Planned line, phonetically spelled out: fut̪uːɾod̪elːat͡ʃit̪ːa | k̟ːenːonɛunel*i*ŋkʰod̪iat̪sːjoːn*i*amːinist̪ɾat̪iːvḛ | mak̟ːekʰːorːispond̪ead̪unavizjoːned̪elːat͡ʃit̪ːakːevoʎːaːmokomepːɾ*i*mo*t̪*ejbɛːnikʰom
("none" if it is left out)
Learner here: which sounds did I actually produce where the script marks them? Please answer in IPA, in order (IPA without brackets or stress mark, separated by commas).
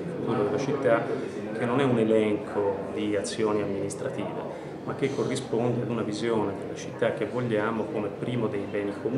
ɛ, i, iː, d̪